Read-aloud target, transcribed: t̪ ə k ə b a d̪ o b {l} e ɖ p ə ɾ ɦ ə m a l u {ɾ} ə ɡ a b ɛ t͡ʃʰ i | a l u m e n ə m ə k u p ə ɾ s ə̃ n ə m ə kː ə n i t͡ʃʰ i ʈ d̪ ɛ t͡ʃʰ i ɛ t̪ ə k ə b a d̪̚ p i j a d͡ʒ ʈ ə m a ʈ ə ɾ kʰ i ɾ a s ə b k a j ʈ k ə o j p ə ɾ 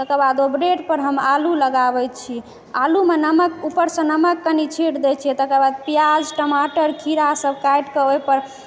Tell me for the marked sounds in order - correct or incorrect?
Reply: incorrect: ɾ, incorrect: l

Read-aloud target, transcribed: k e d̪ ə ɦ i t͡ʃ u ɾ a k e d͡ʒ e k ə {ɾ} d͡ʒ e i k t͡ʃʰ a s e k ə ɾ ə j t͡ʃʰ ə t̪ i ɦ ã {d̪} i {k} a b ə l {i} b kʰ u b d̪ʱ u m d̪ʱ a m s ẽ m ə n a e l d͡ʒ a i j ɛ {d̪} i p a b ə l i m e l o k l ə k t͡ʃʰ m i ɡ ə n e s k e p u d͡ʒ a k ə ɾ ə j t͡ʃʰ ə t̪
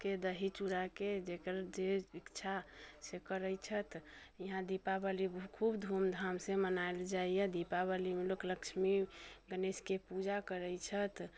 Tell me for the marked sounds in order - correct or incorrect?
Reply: correct, correct, incorrect: p, correct, correct

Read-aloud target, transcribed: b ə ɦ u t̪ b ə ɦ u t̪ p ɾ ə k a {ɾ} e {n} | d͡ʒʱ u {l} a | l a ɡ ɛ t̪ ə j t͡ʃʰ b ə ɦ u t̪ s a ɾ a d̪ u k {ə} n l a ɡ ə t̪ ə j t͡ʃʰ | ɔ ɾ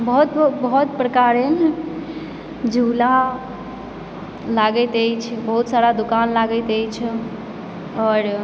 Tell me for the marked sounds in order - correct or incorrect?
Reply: correct, correct, correct, incorrect: a

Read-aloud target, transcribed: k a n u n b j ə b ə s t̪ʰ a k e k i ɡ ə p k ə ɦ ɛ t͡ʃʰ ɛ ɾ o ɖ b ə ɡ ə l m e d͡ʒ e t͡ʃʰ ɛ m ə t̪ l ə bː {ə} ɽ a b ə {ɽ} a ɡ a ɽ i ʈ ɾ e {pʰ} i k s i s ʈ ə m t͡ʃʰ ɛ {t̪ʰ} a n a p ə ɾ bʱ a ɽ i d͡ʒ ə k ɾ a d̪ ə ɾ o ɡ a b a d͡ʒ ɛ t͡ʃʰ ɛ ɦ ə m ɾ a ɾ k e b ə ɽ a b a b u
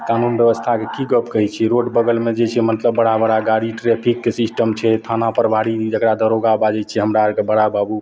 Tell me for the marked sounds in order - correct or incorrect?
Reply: correct, correct, correct, correct

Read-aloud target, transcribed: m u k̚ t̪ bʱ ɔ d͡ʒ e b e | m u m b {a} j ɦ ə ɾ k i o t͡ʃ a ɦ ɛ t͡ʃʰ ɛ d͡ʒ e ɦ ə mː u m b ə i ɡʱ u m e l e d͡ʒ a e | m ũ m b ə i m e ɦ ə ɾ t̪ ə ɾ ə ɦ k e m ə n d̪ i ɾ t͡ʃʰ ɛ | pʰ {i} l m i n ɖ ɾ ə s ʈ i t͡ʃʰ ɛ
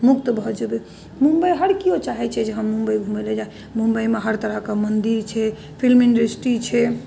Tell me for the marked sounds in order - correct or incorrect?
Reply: incorrect: ə, correct

